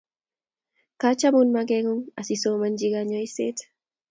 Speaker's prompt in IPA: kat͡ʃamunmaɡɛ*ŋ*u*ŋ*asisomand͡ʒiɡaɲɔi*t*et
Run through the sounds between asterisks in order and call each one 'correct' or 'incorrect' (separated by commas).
correct, correct, incorrect